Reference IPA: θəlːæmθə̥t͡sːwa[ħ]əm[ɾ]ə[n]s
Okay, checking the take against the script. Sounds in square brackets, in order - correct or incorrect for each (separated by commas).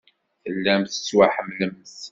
correct, incorrect, incorrect